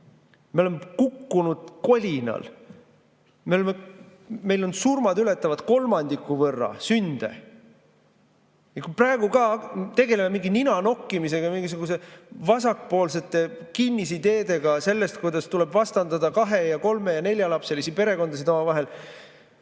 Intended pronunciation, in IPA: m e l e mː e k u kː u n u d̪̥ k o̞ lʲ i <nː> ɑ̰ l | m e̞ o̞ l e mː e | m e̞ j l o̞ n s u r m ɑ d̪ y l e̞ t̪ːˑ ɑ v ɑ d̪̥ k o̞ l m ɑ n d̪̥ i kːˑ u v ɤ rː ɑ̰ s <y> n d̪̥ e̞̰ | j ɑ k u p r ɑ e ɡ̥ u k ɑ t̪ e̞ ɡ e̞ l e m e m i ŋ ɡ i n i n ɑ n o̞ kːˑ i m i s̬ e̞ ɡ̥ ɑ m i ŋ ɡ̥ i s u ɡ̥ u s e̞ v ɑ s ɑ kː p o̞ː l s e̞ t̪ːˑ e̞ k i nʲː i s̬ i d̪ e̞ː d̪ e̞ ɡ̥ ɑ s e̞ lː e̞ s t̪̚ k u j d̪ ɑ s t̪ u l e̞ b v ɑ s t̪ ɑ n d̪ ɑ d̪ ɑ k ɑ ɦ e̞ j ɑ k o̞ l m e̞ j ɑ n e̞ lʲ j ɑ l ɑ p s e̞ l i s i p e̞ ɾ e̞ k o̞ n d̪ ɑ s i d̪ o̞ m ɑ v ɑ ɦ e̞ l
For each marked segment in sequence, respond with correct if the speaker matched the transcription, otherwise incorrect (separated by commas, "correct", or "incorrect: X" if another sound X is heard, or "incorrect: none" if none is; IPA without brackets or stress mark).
incorrect: n, correct